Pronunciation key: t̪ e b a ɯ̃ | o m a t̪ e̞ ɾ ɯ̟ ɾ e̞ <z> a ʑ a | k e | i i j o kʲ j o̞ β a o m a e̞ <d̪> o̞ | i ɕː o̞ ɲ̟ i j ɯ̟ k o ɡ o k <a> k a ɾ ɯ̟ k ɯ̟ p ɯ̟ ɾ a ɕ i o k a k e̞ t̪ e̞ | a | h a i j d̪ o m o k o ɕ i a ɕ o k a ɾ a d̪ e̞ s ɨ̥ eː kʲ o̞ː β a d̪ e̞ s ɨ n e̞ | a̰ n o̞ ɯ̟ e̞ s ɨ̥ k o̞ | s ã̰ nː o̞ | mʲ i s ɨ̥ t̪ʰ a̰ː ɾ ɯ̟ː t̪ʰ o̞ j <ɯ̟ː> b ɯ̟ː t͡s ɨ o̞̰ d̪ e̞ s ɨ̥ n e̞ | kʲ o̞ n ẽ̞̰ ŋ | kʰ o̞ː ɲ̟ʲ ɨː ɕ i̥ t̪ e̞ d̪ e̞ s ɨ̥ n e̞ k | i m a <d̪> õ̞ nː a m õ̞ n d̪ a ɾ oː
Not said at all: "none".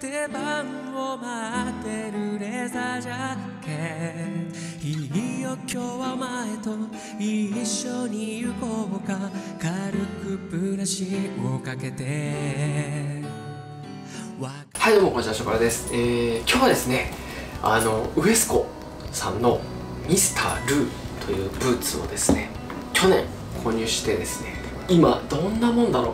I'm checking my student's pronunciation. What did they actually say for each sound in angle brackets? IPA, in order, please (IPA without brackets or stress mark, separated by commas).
z, t̪, a, ɯ̟ː, d̪